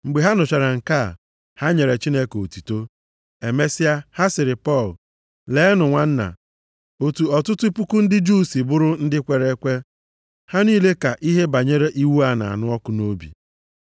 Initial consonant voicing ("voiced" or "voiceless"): voiced